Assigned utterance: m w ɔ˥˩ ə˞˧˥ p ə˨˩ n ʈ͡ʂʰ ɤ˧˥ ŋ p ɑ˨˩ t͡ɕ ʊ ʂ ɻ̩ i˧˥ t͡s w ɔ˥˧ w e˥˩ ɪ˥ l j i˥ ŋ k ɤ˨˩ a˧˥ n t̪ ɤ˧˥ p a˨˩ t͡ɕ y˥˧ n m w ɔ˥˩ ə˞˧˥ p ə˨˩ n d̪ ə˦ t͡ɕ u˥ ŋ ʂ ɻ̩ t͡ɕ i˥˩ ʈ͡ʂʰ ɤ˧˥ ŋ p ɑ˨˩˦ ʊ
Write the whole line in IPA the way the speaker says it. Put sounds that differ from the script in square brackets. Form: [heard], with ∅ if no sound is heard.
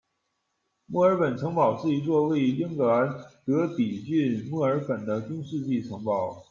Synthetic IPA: m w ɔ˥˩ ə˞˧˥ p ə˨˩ n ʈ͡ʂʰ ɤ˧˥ ŋ p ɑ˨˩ [∅] ʊ ʂ ɻ̩ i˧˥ t͡s w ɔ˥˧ w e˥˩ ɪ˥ l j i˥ ŋ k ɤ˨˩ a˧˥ n t̪ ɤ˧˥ p [i˨˩] t͡ɕ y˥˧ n m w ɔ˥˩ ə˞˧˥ p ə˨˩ n d̪ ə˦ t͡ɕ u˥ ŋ ʂ ɻ̩ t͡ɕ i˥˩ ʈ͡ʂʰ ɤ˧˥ ŋ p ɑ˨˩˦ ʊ